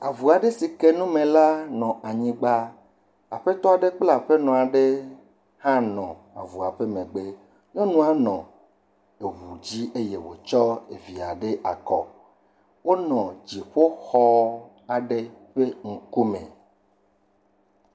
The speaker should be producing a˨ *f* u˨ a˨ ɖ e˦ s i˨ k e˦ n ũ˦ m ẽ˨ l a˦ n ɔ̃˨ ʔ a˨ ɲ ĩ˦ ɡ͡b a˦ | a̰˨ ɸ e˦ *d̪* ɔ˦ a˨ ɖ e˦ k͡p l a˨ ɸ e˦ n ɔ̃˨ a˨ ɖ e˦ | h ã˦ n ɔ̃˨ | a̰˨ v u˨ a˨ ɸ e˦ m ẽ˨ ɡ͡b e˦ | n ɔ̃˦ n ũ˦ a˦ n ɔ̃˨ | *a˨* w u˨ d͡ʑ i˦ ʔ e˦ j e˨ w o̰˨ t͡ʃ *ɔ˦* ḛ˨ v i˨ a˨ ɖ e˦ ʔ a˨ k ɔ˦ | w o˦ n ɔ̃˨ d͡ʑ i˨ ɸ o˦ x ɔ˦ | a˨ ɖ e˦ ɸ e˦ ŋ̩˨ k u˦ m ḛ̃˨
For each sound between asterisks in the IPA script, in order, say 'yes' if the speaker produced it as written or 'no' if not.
no, no, no, yes

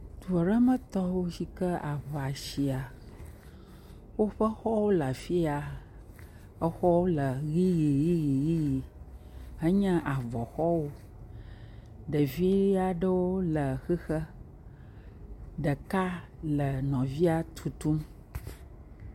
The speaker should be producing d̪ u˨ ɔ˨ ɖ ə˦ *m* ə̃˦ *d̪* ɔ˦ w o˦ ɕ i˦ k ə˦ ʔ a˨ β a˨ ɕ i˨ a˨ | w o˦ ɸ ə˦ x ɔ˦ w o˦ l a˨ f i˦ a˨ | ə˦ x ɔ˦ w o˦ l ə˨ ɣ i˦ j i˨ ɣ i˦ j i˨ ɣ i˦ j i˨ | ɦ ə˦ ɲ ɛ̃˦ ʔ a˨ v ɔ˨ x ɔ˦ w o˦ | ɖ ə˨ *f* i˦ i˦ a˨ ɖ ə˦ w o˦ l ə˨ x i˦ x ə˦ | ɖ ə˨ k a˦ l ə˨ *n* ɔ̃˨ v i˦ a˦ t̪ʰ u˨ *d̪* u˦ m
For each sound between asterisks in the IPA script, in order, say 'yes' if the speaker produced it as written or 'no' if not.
yes, no, no, yes, no

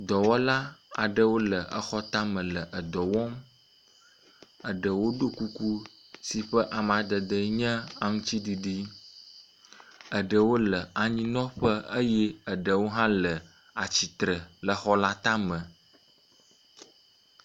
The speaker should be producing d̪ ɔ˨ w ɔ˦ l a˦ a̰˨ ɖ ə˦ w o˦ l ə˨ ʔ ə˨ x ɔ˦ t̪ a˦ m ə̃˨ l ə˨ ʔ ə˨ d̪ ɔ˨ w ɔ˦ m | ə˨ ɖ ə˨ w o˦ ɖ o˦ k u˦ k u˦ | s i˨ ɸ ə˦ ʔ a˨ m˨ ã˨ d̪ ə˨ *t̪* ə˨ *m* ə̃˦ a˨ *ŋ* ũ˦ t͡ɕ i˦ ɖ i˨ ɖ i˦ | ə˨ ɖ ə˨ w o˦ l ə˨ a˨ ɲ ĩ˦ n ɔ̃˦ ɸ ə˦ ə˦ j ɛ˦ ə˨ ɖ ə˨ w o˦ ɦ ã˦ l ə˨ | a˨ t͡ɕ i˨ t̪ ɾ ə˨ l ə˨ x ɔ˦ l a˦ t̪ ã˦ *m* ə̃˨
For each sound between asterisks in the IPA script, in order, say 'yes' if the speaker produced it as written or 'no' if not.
no, no, yes, yes

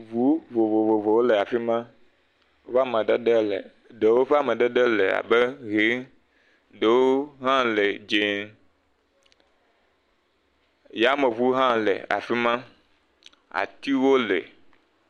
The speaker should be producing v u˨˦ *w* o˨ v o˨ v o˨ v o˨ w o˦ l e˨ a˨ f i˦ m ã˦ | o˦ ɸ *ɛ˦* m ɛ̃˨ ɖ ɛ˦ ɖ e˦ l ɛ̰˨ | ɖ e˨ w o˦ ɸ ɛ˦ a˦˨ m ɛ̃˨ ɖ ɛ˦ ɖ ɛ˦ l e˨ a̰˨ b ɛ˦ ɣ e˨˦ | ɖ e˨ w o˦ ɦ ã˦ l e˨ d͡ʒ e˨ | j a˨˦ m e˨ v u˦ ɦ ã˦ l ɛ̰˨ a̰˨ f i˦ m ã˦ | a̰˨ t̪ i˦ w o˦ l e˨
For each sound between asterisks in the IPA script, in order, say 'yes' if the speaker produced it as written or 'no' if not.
no, no

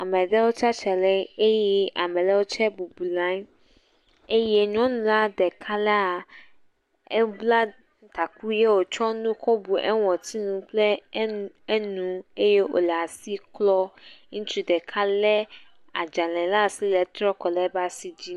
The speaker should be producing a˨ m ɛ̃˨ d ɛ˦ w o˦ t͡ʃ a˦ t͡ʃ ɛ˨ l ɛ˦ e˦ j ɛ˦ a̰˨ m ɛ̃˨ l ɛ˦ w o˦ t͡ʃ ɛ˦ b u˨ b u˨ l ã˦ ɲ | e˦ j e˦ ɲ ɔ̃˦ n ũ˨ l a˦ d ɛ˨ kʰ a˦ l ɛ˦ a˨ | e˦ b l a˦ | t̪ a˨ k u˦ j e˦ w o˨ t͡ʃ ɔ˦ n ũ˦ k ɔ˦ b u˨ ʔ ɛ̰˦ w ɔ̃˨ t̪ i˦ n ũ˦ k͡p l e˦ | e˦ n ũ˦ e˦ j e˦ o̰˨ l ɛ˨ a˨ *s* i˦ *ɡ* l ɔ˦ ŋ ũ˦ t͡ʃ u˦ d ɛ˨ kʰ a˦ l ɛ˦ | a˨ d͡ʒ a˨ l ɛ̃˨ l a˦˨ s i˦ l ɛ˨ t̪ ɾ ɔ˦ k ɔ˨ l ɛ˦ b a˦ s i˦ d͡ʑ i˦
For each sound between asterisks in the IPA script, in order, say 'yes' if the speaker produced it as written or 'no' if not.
yes, no

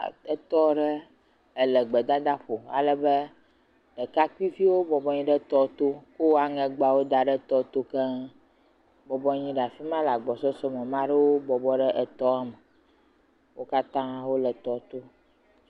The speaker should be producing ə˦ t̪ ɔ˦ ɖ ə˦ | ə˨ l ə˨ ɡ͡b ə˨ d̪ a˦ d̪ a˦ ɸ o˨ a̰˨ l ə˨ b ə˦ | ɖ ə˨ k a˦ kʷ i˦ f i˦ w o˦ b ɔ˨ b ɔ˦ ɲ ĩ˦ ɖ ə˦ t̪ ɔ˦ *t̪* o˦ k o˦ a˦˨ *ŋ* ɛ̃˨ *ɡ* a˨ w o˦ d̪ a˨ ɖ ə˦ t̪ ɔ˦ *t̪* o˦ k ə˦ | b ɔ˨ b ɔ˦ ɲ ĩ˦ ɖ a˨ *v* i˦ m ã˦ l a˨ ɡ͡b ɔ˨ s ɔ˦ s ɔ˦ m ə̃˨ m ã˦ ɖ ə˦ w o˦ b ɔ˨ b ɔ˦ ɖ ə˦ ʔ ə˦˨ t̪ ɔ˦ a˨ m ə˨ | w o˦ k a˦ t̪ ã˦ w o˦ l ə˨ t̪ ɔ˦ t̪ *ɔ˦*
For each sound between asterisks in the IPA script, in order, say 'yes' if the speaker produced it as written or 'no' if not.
yes, yes, no, yes, no, no

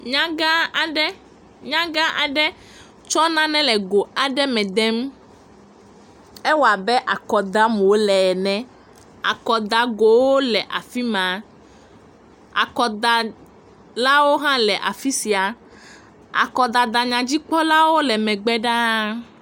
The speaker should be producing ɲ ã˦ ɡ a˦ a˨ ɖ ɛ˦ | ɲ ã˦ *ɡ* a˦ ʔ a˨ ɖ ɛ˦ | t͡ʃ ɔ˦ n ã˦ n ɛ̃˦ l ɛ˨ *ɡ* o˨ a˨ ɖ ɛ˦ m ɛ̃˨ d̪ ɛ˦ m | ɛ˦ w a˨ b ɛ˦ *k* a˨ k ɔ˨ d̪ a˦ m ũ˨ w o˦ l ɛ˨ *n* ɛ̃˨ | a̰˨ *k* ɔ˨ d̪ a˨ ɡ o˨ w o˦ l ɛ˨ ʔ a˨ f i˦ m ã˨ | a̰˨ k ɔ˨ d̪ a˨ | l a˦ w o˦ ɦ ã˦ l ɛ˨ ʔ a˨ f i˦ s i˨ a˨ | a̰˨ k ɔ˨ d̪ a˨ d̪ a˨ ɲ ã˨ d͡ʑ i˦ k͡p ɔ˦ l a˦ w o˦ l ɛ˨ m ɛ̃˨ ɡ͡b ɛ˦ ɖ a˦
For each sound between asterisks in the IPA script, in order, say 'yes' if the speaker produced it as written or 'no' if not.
yes, yes, no, yes, yes

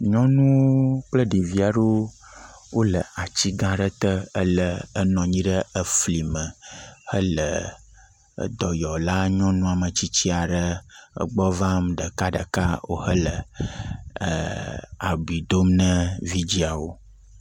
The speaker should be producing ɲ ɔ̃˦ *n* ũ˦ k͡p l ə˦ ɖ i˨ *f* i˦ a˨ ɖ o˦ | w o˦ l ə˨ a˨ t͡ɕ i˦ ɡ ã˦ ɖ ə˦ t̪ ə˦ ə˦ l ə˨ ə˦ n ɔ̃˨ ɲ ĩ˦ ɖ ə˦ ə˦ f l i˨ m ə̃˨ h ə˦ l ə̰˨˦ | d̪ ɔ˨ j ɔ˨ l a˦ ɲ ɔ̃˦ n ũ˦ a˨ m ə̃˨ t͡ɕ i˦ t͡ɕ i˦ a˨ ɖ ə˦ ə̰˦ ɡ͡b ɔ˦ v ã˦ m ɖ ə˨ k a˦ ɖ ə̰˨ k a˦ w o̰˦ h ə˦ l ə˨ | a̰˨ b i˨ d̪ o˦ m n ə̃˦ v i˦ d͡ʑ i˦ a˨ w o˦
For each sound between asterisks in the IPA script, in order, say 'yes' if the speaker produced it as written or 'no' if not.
yes, no

